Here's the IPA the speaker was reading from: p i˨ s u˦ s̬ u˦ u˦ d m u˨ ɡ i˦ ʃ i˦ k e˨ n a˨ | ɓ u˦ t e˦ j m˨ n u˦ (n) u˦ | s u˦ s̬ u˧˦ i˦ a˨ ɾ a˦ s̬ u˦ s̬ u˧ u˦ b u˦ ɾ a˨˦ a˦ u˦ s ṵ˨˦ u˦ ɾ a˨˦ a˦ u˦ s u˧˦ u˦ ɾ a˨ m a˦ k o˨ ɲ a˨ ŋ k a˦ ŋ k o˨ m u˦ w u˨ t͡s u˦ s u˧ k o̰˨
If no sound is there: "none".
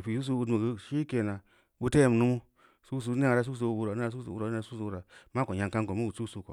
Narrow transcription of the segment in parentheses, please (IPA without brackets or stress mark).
m